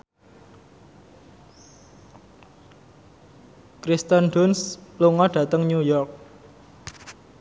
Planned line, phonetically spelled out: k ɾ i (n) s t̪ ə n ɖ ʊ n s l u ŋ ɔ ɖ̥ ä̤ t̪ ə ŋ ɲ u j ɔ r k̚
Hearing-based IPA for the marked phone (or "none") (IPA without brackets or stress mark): none